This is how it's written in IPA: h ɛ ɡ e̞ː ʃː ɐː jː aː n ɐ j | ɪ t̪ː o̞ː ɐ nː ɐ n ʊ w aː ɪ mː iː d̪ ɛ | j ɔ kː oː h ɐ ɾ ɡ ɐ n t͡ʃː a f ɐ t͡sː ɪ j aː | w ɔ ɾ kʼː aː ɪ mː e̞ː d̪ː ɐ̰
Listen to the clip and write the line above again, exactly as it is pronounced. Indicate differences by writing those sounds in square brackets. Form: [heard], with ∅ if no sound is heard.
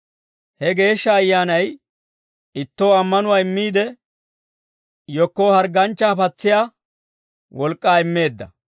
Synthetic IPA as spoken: h ɛ ɡ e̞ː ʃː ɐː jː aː n ɐ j | ɪ t̪ː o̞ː ɐ [mː] ɐ n ʊ w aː ɪ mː iː d̪ ɛ | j ɔ kː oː h ɐ ɾ ɡ ɐ n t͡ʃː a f ɐ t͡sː ɪ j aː | w ɔ [l] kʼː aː ɪ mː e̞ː d̪ː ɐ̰